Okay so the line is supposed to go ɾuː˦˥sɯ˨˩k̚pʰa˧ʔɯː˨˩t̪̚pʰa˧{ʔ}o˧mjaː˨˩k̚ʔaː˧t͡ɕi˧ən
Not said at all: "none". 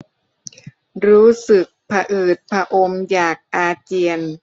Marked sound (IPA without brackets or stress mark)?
ʔ